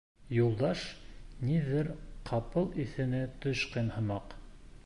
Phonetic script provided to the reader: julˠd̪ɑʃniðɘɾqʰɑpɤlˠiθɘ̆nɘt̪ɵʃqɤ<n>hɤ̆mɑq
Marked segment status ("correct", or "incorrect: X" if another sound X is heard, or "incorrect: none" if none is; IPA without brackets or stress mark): correct